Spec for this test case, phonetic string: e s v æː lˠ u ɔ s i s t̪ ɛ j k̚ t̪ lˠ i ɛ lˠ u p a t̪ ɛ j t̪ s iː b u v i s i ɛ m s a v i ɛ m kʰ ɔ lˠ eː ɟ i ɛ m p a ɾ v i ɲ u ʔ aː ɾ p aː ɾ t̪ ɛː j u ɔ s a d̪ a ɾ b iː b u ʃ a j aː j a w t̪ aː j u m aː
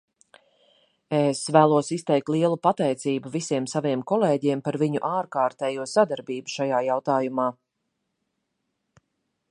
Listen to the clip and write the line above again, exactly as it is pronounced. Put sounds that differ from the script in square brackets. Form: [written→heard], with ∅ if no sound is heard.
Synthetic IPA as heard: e s v æː lˠ u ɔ s i s t̪ ɛ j k̚ t̪ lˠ i ɛ lˠ u p a t̪ ɛ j t̪ s iː b u v i s i ɛ m s a v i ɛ m [kʰ→k] ɔ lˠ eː ɟ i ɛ m p a ɾ v i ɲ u ʔ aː ɾ [p→k] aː ɾ t̪ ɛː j u ɔ s a d̪ a ɾ b iː b u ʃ a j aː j a w t̪ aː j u m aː